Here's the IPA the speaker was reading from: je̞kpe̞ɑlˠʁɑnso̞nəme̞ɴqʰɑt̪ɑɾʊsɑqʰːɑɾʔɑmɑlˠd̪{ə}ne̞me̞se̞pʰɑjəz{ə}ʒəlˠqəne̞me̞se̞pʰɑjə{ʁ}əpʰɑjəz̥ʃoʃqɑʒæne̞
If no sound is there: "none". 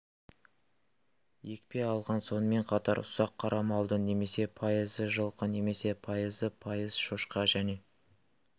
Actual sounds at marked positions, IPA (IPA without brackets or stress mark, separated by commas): ə, ə, z